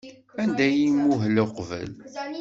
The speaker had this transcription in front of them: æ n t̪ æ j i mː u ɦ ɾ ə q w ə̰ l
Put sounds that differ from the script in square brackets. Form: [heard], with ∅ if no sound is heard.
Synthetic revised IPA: æ n [d̪] æ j i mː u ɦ [l] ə q [v] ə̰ l